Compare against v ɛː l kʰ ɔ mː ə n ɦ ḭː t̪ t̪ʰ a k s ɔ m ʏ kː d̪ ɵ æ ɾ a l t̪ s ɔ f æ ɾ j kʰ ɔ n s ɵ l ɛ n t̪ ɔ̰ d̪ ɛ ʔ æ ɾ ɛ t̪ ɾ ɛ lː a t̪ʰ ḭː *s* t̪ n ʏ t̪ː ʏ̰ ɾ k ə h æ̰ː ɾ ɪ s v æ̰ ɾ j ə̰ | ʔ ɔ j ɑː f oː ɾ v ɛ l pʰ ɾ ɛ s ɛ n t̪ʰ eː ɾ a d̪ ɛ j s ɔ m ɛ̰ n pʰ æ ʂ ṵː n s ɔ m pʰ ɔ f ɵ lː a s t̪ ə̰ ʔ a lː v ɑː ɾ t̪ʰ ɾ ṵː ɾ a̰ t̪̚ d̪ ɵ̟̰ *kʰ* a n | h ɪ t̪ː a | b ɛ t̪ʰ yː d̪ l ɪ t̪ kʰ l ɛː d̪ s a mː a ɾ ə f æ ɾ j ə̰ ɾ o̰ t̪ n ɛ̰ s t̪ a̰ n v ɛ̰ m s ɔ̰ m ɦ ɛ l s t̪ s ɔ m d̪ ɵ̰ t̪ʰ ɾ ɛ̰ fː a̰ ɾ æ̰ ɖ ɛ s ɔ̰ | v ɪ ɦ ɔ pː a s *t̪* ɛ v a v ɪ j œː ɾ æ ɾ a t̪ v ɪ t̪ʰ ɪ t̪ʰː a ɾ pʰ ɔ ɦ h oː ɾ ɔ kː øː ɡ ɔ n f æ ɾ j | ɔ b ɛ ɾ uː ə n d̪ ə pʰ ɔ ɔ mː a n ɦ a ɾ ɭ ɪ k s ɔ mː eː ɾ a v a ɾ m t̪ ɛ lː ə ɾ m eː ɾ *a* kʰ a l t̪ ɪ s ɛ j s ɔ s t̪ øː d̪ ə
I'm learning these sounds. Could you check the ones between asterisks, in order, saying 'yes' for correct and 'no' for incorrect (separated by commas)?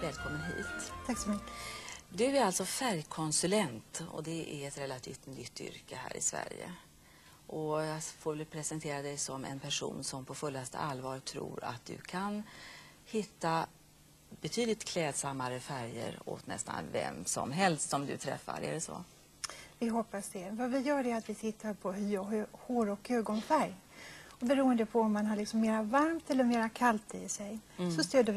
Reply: no, yes, no, yes